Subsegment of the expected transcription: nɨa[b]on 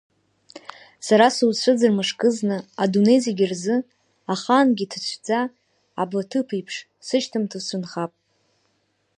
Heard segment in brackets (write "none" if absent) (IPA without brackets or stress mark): d